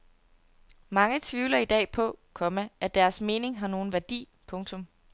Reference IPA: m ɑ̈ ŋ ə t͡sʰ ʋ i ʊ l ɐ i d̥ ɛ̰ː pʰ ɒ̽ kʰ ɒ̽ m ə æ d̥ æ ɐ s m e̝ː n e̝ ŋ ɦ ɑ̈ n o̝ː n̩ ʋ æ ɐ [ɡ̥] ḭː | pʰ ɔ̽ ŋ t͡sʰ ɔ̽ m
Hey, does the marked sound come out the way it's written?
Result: no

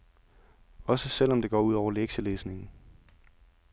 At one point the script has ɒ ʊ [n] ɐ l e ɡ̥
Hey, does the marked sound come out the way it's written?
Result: no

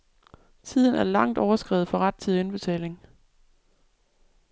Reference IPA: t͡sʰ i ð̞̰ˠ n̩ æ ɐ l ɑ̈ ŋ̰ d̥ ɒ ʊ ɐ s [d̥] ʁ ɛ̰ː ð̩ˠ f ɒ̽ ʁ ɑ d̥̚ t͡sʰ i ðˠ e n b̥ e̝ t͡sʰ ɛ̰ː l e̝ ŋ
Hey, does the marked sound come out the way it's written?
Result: no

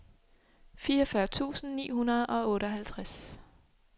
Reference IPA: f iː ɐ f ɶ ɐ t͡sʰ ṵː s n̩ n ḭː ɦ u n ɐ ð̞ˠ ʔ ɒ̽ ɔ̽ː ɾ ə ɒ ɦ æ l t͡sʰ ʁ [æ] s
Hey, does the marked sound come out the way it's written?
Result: no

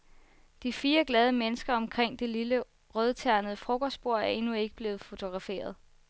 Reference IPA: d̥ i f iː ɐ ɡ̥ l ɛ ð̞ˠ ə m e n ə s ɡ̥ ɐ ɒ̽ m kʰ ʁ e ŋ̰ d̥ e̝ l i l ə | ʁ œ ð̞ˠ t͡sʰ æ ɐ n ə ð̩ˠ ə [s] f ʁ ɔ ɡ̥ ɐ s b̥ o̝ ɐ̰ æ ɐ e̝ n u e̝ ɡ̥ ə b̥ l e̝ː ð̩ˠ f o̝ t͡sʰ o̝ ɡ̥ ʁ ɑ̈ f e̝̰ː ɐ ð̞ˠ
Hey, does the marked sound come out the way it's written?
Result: no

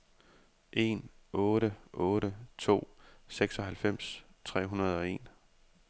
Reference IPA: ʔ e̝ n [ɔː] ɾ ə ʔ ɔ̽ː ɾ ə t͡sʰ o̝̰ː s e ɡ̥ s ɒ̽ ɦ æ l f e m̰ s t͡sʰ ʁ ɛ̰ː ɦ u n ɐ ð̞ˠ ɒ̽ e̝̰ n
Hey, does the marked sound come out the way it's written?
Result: yes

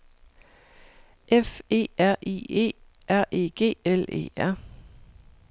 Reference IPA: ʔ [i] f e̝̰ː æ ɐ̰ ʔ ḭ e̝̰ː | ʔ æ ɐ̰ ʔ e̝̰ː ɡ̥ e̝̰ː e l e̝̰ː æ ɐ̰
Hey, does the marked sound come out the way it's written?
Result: no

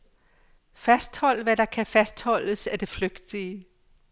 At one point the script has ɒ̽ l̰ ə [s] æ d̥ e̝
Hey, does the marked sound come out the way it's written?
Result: yes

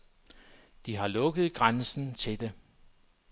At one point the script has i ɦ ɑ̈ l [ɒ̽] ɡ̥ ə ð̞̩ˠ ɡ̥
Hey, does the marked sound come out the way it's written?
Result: no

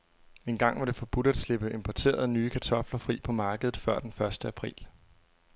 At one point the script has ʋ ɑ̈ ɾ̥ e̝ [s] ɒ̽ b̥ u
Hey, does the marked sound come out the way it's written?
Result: no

